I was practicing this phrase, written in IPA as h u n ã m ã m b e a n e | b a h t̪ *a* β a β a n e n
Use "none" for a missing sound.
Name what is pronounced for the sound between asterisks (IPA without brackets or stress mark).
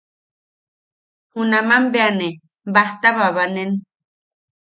a